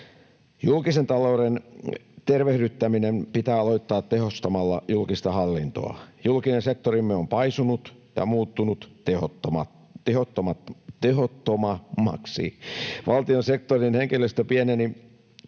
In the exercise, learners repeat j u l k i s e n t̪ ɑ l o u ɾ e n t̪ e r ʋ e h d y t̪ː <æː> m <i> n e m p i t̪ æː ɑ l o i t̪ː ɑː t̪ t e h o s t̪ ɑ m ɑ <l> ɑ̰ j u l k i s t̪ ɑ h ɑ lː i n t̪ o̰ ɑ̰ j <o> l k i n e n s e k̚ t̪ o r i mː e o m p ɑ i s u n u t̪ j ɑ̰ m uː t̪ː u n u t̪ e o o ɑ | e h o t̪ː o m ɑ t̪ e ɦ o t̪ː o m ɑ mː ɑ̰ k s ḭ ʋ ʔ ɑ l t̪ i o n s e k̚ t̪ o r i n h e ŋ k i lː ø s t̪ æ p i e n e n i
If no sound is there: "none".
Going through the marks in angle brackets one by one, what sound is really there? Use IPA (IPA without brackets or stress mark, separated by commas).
æ, i, lː, u